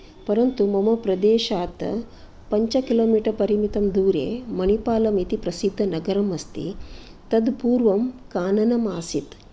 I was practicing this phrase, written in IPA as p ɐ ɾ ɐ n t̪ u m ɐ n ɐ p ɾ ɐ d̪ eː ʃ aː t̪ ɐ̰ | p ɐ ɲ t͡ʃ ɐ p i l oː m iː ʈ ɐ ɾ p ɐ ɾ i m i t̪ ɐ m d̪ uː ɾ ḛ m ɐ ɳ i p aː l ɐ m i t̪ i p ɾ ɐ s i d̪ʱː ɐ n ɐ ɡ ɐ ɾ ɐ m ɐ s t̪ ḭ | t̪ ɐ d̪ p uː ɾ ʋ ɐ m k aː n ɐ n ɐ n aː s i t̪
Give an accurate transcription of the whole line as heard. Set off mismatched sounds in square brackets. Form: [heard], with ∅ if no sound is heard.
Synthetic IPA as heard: p ɐ ɾ ɐ n t̪ u m ɐ [m] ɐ p ɾ ɐ d̪ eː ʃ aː t̪ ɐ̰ | p ɐ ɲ t͡ʃ ɐ [k] i l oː m iː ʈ ɐ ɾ p ɐ ɾ i m i t̪ ɐ m d̪ uː ɾ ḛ m ɐ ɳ i p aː l ɐ m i t̪ i p ɾ ɐ s i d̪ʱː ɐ n ɐ ɡ ɐ ɾ ɐ m ɐ s t̪ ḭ | t̪ ɐ d̪ p uː ɾ ʋ ɐ m k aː n ɐ n ɐ [m] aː s i t̪